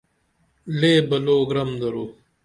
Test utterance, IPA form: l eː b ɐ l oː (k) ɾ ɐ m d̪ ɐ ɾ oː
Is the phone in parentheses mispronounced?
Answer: yes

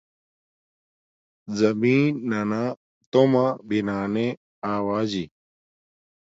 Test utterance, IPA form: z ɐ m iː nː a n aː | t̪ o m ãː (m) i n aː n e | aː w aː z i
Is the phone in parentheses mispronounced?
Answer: yes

